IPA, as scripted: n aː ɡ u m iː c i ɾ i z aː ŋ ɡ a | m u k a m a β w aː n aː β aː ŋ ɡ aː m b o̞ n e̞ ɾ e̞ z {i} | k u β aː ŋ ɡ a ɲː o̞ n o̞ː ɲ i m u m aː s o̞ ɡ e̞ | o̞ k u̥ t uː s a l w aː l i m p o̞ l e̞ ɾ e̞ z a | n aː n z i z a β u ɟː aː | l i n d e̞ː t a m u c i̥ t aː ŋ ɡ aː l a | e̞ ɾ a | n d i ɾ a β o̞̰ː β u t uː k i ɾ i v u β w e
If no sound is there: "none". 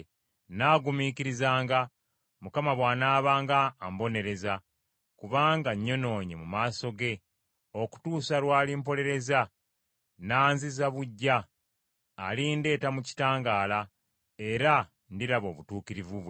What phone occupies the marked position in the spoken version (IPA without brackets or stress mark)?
a